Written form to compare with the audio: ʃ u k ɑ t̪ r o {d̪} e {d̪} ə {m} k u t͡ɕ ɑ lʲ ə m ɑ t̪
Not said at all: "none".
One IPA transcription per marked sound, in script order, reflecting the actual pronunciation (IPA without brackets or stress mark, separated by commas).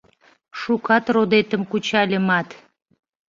d̪, t̪, m